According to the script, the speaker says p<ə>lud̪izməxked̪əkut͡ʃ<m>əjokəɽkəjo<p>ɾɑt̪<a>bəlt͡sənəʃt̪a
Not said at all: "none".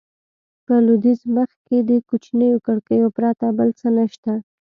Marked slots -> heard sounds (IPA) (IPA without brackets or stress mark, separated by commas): ə, n, p, a